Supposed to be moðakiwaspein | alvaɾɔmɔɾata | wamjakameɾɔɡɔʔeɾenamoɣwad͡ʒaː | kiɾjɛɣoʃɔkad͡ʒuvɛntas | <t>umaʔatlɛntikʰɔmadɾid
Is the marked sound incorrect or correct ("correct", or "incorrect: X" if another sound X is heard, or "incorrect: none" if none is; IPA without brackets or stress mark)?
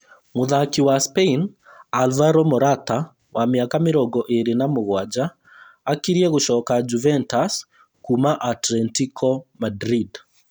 incorrect: k